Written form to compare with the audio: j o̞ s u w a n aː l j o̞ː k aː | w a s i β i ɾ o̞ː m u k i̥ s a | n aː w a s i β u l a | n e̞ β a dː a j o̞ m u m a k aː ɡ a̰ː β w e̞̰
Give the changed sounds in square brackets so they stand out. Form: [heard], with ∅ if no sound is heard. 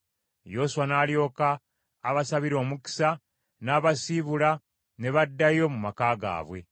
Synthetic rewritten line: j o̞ s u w a n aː l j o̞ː k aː | [β] a s [a] β i ɾ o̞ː m u k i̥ s a | n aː [β] a s i β u l a | n e̞ β a dː a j o̞ m u m a k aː ɡ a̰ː β w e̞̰